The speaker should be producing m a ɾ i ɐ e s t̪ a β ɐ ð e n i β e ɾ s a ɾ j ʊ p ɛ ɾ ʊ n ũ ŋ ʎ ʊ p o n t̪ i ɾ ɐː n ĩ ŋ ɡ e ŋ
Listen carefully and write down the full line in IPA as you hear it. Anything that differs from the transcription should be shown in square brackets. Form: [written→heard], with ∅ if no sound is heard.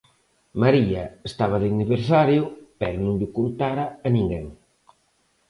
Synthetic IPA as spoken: m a ɾ i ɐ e s t̪ a β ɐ ð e n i β e ɾ s a ɾ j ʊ p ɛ ɾ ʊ n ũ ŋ ʎ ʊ [p→k] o n t̪ [i→a] ɾ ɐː n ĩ ŋ ɡ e ŋ